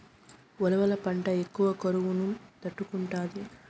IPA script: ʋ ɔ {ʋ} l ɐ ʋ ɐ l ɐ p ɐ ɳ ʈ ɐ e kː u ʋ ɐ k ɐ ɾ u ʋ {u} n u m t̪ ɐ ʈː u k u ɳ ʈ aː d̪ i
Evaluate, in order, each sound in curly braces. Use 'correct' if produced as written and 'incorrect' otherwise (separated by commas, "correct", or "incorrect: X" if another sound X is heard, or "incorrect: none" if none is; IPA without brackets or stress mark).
incorrect: none, correct